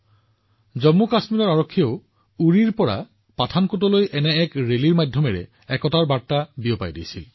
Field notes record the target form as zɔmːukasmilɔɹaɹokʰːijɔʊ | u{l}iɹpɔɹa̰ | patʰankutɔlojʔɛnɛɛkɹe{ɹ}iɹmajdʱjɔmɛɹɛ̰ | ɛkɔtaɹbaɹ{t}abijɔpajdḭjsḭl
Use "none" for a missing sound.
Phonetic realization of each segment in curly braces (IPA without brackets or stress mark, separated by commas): ɹ, l, t